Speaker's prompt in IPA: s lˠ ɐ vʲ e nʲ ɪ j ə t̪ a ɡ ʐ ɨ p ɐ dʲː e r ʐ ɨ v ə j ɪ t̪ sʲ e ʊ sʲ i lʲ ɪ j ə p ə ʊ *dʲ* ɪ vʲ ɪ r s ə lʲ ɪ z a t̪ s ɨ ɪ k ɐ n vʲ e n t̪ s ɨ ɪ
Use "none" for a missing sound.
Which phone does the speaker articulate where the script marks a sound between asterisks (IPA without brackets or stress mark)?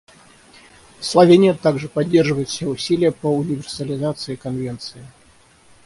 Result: nʲ